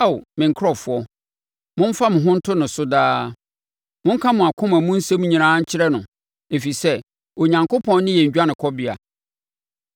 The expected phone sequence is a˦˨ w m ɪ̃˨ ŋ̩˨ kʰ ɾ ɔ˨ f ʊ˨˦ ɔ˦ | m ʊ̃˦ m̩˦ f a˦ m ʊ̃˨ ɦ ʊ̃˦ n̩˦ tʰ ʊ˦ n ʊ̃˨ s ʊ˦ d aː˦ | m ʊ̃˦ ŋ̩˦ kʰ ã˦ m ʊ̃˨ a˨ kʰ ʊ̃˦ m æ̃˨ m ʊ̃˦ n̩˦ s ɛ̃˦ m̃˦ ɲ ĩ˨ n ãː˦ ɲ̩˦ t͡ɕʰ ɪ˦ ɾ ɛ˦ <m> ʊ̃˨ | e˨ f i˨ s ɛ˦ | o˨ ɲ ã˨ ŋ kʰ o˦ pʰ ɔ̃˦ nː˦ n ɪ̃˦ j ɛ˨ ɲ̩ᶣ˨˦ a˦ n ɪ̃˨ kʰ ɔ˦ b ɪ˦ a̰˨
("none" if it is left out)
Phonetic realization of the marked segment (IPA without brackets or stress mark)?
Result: n